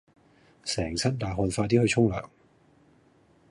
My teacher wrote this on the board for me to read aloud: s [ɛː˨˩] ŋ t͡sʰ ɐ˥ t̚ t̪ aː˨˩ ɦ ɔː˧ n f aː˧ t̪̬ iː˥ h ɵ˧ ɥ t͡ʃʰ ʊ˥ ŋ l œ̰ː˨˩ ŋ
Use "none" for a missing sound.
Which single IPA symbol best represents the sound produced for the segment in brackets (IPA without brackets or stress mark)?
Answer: ɛː˨˩